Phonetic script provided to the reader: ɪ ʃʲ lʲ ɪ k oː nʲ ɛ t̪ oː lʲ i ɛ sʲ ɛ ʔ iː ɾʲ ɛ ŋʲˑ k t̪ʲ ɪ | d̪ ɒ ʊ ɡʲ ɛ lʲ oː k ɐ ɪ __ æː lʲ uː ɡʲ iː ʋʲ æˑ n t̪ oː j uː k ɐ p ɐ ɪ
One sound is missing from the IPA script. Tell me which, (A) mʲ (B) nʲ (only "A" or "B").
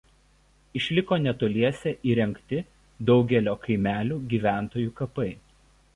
A